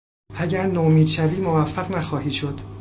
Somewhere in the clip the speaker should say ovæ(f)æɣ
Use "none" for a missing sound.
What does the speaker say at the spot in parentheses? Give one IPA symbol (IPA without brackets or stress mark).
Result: fː